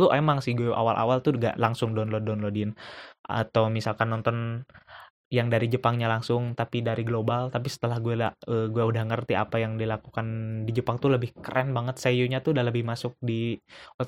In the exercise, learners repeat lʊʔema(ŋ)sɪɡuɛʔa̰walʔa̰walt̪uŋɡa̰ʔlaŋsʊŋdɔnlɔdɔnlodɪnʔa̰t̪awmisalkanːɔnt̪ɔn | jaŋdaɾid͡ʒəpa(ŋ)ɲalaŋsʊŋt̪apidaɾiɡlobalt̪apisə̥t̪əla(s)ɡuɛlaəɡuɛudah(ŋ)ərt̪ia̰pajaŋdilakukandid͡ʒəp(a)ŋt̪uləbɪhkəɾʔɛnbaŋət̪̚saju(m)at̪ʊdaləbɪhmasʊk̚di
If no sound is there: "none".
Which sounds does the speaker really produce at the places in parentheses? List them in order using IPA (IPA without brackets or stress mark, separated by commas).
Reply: ŋ, ŋ, h, ŋ, a, ɲ